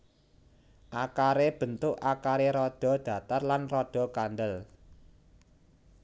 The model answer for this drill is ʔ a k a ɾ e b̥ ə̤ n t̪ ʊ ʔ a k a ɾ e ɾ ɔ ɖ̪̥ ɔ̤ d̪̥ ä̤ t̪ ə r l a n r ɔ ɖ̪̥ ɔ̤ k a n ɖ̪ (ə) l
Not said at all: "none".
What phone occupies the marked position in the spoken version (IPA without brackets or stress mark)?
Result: ə